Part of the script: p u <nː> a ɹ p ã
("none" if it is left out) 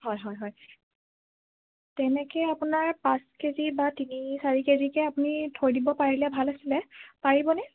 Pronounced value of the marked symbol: n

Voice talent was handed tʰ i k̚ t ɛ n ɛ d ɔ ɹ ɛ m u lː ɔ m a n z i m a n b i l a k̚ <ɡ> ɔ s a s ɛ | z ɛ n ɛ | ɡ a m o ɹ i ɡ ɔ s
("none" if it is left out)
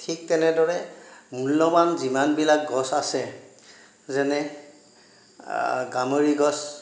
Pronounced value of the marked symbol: ɡ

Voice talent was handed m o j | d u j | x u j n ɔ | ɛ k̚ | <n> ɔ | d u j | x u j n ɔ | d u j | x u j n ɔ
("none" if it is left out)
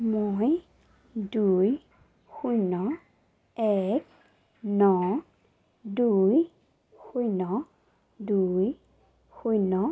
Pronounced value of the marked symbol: n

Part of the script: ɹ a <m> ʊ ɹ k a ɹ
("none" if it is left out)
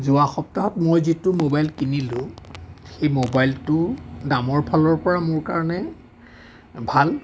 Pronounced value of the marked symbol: m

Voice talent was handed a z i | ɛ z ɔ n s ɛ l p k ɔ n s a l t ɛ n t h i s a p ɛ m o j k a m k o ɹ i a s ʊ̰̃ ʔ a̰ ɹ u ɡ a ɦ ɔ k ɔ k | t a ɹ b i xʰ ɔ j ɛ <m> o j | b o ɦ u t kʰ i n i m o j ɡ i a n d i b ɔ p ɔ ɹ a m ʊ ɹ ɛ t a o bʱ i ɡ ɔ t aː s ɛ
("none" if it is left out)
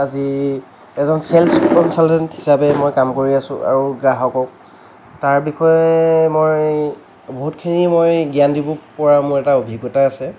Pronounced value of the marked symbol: m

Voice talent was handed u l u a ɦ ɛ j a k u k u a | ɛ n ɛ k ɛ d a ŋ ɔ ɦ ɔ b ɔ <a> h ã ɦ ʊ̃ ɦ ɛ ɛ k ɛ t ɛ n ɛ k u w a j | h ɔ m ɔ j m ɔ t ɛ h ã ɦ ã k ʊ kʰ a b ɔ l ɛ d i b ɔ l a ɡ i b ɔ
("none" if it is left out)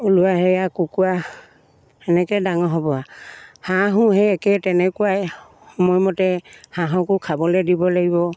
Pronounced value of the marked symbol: a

